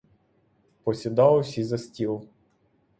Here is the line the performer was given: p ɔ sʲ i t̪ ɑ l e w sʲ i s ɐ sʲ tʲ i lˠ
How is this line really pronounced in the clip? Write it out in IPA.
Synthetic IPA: p ɔ sʲ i d̪ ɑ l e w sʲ i z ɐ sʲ tʲ i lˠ

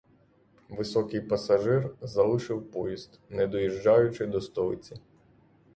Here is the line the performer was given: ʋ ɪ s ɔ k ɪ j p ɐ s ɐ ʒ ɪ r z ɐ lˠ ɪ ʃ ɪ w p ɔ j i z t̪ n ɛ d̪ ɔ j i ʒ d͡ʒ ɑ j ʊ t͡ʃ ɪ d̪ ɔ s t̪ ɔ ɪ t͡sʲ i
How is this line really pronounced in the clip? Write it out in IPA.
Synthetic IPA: ʋ ɪ s ɔ k ɪ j p ɐ s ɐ ʒ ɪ r z ɐ lˠ ɪ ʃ ɪ w p ɔ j i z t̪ n ɛ d̪ ɔ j i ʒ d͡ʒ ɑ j ʊ t͡ʃ ɪ d̪ ɔ s t̪ ɔ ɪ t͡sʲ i

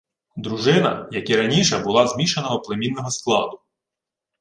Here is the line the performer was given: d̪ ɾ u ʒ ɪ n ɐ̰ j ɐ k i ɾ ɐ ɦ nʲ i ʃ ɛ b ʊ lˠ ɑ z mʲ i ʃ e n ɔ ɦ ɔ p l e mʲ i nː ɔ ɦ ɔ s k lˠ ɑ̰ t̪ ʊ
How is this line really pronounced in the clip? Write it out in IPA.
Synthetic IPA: d̪ ɾ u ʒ ɪ n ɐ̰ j ɐ k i ɾ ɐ nʲ i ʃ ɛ b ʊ lˠ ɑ z mʲ i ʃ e n ɔ ɦ ɔ p l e mʲ i nː ɔ ɦ ɔ s k lˠ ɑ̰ d̪ ʊ

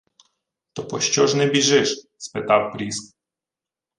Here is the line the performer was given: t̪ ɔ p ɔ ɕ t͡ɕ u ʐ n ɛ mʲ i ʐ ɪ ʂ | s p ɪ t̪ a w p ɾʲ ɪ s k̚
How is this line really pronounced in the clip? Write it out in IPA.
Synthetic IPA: t̪ ɔ p ɔ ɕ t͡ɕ ɔ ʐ n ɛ bʲ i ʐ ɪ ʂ | s p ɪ t̪ a w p ɾʲ i s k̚

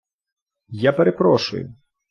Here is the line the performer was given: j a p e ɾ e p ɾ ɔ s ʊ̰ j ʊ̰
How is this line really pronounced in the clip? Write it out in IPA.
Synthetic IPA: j a p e ɾ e p ɾ ɔ ʃ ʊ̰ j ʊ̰

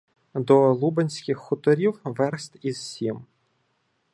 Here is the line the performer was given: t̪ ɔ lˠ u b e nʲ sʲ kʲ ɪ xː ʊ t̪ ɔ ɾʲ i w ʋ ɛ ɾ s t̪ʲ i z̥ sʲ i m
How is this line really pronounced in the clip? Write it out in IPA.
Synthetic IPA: d̪ ɔ lˠ u b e nʲ sʲ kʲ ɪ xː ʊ t̪ ɔ ɾʲ i w ʋ ɛ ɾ s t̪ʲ i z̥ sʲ i m

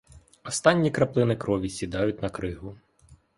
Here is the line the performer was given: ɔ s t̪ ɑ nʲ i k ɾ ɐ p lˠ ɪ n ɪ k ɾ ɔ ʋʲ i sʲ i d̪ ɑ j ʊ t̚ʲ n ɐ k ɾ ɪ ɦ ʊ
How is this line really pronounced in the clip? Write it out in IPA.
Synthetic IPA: ɔ s t̪ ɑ nʲː i k ɾ ɐ p lˠ ɪ n ɪ k ɾ ɔ ʋʲ i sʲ i d̪ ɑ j ʊ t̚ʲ n ɐ k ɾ ɪ ɦ ʊ

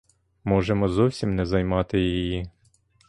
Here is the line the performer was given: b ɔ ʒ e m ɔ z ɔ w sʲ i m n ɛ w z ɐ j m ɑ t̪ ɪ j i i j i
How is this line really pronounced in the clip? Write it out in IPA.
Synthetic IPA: m ɔ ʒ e m ɔ z ɔ w sʲ i m n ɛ z ɐ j m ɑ t̪ ɪ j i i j i

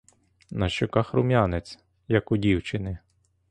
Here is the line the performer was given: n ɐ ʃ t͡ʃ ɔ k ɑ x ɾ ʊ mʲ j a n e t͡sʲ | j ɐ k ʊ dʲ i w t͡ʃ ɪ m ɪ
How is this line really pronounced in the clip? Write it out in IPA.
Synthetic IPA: n ɐ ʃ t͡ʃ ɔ k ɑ x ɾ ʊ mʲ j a n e t͡sʲ | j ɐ k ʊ dʲ i w t͡ʃ ɪ n ɪ

